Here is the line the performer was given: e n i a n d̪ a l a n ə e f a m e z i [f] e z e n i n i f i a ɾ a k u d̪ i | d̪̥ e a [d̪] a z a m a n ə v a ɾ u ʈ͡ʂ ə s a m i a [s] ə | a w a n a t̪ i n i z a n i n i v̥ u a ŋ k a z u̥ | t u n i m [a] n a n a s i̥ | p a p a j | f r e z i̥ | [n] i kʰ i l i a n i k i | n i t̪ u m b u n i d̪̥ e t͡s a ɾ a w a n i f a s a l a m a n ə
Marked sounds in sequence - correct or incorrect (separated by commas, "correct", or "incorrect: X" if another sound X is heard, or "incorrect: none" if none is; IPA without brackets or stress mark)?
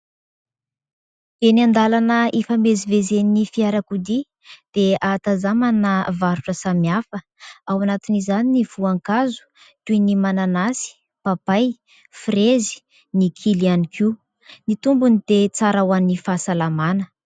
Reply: incorrect: v, incorrect: t̪, incorrect: f, correct, correct